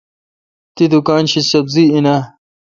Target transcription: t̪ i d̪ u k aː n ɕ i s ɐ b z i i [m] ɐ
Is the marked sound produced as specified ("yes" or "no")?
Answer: no